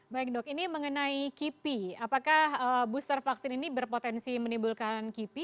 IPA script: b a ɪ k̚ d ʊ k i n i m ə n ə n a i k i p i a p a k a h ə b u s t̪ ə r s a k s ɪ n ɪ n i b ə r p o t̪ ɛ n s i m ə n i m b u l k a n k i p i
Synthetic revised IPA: b a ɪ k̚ d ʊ k i n i m ə ŋ ə n a i k i p i a p a k a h ə b u s t̪ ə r f a k s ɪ n i n i b ə r p o t̪ ɛ n s i m ə n i m b u l k a n k i p i